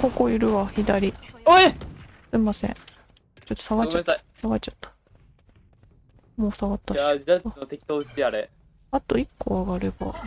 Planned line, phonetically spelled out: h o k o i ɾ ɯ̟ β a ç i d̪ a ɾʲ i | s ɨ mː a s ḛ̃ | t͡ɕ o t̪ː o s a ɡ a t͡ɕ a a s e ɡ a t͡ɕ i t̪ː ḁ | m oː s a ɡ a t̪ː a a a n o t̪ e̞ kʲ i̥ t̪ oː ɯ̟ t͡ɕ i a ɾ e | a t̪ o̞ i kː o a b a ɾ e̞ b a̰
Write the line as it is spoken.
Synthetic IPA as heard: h o k o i ɾ ɯ̟ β a ç i d̪ a ɾʲ i | s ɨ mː a s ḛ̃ | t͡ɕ o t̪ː o s a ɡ a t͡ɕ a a s a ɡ a t͡ɕ a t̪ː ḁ | m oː s a ɡ a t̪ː a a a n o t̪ e̞ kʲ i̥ t̪ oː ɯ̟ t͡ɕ i a ɾ e | a t̪ o̞ i kː o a ɡ a ɾ e̞ b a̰